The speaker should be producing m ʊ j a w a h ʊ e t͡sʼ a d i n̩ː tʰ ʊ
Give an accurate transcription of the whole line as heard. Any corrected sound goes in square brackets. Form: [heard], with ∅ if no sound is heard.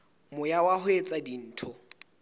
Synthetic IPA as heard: m ʊ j a w a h ʊ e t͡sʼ a d i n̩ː tʰ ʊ

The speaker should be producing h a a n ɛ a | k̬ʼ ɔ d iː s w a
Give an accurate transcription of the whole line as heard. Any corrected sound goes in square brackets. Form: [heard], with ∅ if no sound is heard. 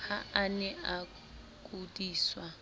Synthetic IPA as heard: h a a n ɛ a | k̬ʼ [u] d iː s w a

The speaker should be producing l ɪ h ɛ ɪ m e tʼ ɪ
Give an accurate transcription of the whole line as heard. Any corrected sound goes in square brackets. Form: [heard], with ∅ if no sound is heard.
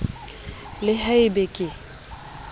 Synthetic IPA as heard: l ɪ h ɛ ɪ [b] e [kʼ] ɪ

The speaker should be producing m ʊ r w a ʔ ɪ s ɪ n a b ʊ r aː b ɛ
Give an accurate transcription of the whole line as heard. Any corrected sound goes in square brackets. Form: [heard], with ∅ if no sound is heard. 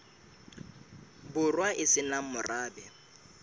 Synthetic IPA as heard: [b] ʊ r w a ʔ ɪ s ɪ n a [m] ʊ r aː b ɛ

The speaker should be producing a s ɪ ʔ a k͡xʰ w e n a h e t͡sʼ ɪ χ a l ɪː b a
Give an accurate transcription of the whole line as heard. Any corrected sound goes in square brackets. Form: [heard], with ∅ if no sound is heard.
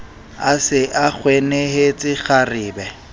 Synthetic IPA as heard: a s ɪ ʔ a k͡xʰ w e n [e] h e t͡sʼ ɪ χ a [r] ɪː b [ɛ]

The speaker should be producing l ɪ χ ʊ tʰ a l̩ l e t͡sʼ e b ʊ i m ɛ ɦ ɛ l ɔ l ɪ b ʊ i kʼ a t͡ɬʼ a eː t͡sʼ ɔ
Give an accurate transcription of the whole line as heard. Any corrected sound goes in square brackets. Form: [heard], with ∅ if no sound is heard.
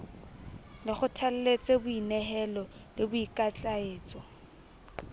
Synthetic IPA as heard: l ɪ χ ʊ tʰ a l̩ l e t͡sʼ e b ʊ i [n] ɛ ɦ ɛ l ɔ l ɪ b ʊ i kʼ a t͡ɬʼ a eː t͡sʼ ɔ

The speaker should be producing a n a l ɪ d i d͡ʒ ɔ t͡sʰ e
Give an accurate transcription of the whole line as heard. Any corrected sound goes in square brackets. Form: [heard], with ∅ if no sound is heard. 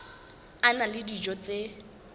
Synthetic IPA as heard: a n a l ɪ d i d͡ʒ ɔ [t͡s] e

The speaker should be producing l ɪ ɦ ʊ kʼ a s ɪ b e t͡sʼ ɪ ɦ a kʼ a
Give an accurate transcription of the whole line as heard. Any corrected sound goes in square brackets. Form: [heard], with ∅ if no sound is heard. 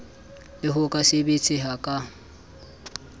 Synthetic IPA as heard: l ɪ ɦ ʊ kʼ a s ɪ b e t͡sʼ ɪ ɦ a kʼ a

